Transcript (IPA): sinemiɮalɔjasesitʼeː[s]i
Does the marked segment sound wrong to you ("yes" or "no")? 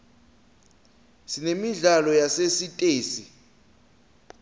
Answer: no